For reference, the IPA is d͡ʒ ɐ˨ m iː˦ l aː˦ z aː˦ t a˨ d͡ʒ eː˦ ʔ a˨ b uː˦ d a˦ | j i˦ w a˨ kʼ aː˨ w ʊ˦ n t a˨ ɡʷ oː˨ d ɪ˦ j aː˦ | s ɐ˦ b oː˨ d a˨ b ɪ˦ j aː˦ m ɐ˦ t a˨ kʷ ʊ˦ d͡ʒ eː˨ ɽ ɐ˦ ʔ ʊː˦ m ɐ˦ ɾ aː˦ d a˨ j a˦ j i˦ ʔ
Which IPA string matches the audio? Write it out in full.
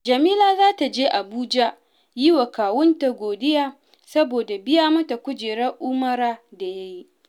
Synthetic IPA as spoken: d͡ʒ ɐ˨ m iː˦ l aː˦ z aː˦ t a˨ d͡ʒ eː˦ ʔ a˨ b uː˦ d͡ʒ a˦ | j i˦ w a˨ k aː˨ w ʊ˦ n t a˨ ɡʷ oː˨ d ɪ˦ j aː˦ | s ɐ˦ b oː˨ d a˨ b ɪ˦ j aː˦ m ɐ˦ t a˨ kʷ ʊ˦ d͡ʒ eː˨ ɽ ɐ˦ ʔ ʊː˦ m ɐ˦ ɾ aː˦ d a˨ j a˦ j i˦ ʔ

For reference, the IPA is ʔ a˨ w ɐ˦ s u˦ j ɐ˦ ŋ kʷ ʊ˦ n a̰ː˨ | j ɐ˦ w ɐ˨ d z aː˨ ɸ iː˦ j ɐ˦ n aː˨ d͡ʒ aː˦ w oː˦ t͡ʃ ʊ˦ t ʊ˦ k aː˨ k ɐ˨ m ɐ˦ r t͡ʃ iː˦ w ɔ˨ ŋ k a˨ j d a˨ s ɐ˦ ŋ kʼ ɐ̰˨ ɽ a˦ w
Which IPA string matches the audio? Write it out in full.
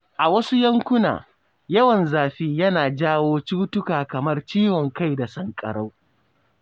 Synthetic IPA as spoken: ʔ a˨ w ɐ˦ s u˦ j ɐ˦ ŋ kʷ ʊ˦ n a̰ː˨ | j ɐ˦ w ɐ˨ n z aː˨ ɸ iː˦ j ɐ˦ n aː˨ d͡ʒ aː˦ w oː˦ t͡ʃ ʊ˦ t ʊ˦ k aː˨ k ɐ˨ m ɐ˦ r t͡ʃ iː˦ w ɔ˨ ŋ k a˦ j d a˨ s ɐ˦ ŋ kʼ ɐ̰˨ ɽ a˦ w

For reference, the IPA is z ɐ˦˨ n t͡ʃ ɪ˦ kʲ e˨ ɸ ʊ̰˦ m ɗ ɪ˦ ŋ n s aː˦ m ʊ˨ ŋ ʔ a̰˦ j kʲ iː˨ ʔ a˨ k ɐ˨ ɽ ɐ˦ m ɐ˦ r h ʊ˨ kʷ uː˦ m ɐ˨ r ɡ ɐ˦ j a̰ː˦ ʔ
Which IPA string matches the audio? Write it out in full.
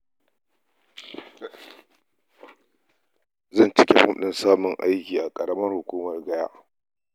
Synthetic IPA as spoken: z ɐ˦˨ n t͡ʃ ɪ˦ kʲ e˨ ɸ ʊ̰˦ m ɗ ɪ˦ n s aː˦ m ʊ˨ ŋ ʔ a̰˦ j kʲ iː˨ ʔ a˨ kʼ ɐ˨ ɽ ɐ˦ m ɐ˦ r h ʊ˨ kʷ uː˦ m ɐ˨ r ɡ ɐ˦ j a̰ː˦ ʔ

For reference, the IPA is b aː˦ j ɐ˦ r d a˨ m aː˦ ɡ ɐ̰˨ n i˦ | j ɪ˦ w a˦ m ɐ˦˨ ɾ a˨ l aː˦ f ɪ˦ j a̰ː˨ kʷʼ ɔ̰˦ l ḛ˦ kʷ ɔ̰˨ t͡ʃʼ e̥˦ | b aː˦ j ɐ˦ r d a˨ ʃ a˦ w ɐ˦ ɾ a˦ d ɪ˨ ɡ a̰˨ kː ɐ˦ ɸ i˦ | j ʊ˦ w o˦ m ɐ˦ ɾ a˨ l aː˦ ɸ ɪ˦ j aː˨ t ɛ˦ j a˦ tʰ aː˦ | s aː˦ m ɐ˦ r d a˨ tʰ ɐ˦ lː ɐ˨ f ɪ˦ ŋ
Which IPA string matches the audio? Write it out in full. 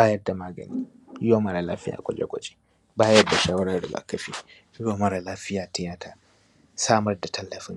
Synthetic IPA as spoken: b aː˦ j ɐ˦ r d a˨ m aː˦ ɡ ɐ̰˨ n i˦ | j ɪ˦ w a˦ m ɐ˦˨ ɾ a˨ l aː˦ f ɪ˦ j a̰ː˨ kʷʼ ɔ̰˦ l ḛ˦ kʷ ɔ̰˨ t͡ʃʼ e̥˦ | b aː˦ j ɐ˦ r d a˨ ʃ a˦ w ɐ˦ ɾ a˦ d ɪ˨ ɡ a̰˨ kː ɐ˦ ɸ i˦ | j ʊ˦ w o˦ m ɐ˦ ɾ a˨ l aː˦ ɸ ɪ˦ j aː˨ t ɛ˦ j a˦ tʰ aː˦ | s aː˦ m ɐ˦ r d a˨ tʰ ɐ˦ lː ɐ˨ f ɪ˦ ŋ

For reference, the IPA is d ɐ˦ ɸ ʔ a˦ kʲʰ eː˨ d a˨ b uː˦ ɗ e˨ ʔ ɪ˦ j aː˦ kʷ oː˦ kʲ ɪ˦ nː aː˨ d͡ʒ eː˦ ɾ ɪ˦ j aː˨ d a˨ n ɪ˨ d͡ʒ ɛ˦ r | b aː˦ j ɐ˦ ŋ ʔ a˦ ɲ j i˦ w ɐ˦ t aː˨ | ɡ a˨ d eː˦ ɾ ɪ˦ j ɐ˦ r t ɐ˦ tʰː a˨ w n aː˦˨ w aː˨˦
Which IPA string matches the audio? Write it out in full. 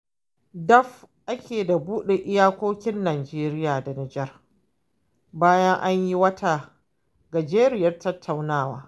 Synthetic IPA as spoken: d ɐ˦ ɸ ʔ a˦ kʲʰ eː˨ d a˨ b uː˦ ɗ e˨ ʔ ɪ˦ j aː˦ kʷ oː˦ kʲ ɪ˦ nː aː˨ d͡ʒ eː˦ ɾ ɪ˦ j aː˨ d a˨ n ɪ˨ d͡ʒ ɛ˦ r | b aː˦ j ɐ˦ ŋ ʔ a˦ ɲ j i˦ w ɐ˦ t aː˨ | ɡ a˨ d͡ʒ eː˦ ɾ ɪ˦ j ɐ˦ r t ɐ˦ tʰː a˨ w n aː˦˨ w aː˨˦

